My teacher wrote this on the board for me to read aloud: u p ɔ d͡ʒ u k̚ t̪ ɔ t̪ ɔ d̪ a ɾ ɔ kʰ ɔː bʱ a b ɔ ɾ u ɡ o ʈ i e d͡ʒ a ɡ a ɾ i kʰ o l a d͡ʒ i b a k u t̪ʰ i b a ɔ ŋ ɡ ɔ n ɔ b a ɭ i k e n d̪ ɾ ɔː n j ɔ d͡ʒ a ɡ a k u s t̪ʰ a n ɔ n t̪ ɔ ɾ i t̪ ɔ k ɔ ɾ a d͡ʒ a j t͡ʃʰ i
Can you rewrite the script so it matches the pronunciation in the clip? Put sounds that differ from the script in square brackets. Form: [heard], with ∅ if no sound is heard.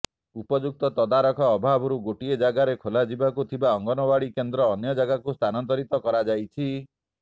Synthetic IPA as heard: u p ɔ d͡ʒ u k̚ t̪ ɔ t̪ ɔ d̪ a ɾ ɔ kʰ ɔː bʱ a b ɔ ɾ u ɡ o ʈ i e d͡ʒ a ɡ a ɾ [e] kʰ o l a d͡ʒ i b a k u t̪ʰ i b a ɔ ŋ ɡ ɔ n ɔ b a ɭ i k e n d̪ ɾ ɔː n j ɔ d͡ʒ a ɡ a k u s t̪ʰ a n ɔ n t̪ ɔ ɾ i t̪ ɔ k ɔ ɾ a d͡ʒ a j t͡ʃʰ i